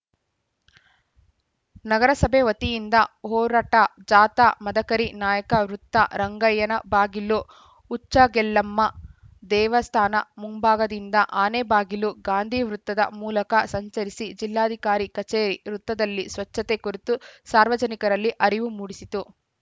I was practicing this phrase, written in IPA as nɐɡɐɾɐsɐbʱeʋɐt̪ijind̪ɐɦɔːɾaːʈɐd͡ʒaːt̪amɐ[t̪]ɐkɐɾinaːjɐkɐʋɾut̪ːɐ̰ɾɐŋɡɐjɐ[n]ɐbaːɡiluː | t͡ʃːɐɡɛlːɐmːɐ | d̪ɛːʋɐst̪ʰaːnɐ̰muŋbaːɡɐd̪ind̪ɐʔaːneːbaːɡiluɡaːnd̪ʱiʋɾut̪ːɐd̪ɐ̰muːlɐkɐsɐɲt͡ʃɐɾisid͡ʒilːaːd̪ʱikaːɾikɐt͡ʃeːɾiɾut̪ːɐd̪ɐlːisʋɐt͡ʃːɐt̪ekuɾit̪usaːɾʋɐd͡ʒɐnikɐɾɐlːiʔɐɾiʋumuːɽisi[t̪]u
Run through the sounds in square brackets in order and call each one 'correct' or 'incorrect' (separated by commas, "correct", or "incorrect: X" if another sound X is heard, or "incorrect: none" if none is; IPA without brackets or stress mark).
incorrect: d̪, correct, correct